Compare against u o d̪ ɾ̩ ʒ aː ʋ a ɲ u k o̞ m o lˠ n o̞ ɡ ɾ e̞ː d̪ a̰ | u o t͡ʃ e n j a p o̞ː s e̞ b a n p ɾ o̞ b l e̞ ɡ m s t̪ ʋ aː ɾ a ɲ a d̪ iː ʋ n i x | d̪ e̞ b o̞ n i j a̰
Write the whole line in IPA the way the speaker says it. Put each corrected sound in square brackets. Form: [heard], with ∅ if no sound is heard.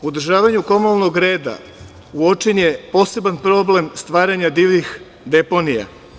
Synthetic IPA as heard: u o d̪ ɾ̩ ʒ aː ʋ a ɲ u k o̞ m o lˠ n o̞ ɡ ɾ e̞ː d̪ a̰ | u o t͡ʃ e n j [e] p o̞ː s e̞ b a n p ɾ o̞ b l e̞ [∅] m s t̪ ʋ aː ɾ a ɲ a d̪ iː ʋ n i x | d̪ e̞ [p] o̞ n i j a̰